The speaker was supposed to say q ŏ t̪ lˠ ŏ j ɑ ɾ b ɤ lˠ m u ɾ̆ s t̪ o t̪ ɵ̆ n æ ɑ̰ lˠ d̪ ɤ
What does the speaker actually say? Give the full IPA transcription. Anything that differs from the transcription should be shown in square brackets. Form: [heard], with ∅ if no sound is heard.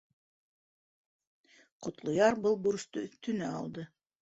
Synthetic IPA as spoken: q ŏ t̪ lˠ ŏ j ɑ ɾ b ɤ lˠ [b] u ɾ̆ s t̪ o t̪ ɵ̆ n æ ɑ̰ lˠ d̪ ɤ